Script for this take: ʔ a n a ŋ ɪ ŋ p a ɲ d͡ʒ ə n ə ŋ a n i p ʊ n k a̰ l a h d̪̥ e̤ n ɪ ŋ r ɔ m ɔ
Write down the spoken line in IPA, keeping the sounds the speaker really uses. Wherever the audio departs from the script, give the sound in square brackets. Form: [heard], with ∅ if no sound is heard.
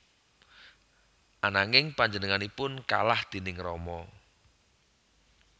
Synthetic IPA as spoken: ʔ a n a ŋ ɪ ŋ p a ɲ d͡ʒ ə n ə ŋ a n i p ʊ n k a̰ l a h d̪̥ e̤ n ɪ ŋ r ɔ m ɔ